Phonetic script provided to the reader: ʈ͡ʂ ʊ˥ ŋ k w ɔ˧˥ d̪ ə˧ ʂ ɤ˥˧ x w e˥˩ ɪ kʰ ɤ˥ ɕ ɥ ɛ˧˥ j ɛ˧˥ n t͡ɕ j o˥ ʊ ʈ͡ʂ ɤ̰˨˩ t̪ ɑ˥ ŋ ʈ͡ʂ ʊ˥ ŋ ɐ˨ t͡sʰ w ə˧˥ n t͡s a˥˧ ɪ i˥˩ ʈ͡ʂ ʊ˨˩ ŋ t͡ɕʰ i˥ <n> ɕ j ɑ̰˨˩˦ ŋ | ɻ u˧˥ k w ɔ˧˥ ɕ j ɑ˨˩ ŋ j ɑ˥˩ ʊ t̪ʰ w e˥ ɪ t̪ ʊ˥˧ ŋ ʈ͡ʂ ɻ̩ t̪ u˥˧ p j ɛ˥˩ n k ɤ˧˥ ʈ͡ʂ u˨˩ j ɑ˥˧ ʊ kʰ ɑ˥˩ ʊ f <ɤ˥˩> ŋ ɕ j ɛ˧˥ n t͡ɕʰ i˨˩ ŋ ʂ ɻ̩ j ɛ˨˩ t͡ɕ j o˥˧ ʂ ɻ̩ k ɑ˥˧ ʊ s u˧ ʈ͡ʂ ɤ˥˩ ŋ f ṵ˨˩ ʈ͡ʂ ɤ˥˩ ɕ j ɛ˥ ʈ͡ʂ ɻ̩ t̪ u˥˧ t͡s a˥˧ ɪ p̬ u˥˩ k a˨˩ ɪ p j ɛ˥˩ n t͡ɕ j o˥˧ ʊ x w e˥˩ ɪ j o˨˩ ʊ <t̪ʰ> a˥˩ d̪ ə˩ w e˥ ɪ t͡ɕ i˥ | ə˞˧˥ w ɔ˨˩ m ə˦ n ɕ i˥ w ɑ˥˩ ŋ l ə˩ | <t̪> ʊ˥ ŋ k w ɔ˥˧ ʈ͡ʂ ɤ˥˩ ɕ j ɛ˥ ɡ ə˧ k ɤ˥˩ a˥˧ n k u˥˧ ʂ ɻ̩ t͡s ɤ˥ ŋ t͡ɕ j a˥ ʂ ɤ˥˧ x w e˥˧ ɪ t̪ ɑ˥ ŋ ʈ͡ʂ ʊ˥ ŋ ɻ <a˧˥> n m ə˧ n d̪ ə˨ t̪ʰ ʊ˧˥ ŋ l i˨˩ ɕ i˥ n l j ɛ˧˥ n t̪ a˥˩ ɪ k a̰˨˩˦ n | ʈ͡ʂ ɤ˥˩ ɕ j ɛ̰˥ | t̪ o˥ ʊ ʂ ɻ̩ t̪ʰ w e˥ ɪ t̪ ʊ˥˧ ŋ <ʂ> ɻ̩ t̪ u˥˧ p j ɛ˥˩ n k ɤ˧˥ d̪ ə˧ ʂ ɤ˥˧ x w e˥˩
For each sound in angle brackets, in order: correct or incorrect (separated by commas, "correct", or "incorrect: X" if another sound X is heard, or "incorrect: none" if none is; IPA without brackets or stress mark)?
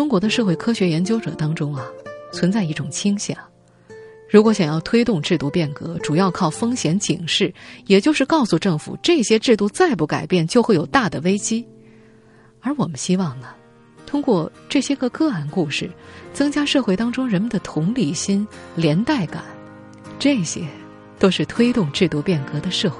incorrect: ŋ, incorrect: ɤ˥, incorrect: t̪, incorrect: t̪ʰ, incorrect: ə˧˥, incorrect: ʈ͡ʂ